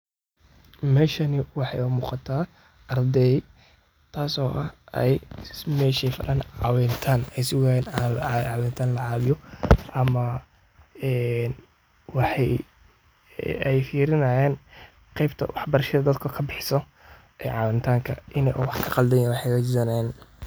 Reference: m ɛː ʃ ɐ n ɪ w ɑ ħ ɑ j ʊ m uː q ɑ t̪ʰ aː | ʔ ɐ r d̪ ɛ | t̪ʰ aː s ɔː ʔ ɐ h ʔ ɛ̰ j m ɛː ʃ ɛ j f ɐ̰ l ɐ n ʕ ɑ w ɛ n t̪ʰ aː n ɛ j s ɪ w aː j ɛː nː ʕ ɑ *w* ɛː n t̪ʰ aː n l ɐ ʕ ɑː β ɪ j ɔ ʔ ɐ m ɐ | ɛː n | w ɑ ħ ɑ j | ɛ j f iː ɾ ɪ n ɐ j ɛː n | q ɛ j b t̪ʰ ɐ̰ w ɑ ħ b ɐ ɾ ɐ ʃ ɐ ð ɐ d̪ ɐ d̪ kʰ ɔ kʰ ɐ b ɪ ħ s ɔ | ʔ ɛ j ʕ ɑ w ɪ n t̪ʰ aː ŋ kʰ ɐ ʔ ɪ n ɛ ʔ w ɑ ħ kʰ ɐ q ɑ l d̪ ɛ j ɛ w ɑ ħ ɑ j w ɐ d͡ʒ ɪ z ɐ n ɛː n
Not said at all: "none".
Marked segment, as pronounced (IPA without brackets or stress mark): w